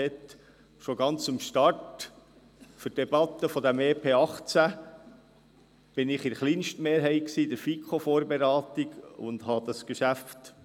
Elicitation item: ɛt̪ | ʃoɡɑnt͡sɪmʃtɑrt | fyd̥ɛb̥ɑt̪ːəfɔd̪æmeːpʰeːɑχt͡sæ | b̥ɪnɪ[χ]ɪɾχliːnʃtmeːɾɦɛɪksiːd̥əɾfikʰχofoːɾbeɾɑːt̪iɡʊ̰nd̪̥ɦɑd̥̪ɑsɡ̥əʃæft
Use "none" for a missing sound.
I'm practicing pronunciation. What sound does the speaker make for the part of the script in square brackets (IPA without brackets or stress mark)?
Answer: χ